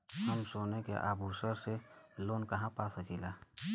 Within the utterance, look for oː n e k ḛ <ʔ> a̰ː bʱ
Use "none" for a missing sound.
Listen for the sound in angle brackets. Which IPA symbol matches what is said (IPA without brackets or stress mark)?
ʔ